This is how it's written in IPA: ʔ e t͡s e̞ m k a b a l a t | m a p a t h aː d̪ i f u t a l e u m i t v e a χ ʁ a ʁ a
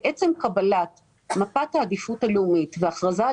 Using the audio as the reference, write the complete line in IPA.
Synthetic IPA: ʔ e t͡s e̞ m k a b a l a t | m a p a t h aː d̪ i f u t a l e u m i t v e a χ ʁ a z a